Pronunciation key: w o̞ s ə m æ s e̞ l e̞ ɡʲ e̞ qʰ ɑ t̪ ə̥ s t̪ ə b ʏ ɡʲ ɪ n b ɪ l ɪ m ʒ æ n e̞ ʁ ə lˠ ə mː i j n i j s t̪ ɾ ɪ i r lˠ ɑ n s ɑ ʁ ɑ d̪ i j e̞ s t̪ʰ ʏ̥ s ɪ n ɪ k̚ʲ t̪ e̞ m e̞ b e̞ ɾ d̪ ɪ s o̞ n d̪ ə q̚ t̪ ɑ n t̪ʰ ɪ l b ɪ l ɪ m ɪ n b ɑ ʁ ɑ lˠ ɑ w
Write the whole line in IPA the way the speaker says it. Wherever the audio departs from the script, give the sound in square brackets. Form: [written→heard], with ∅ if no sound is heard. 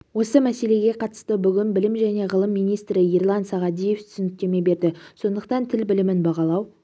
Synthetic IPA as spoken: w o̞ s ə m æ s e̞ l e̞ ɡʲ e̞ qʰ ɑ t̪ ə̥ s t̪ ə b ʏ ɡʲ ɪ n b ɪ l ɪ m ʒ æ n e̞ ʁ ə lˠ ə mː i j n i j s t̪ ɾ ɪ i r lˠ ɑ n s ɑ ʁ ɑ d̪ i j e̞ [s→f] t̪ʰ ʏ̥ s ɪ n ɪ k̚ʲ t̪ e̞ m e̞ b e̞ ɾ d̪ ɪ s o̞ n d̪ ə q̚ t̪ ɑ n t̪ʰ ɪ l b ɪ l ɪ m ɪ n b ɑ ʁ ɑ lˠ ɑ w